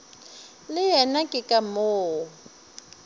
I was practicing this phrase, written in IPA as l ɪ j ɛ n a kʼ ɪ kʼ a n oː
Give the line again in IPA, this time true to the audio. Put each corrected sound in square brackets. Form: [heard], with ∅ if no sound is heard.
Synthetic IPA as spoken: l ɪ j ɛ n a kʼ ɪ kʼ a [m] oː